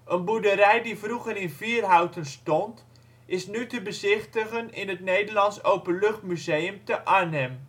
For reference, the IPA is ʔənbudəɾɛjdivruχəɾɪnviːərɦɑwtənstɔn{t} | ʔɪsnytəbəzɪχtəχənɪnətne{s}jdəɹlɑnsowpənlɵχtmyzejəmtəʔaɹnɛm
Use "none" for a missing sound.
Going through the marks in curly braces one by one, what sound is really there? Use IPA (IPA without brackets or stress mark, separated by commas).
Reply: t, none